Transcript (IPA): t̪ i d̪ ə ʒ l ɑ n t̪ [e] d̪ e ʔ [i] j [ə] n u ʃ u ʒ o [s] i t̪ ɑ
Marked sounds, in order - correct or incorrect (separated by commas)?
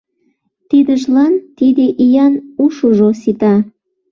incorrect, correct, incorrect, correct